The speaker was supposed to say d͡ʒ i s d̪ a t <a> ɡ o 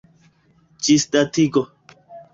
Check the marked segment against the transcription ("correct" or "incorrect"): incorrect